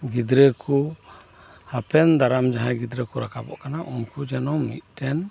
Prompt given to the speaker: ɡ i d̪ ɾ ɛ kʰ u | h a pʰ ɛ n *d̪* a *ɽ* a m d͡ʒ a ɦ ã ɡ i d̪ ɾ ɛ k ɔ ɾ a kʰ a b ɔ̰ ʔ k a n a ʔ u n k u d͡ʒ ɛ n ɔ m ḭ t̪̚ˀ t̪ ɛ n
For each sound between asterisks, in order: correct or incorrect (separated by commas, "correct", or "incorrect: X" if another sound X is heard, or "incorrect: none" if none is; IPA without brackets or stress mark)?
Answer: correct, incorrect: ɾ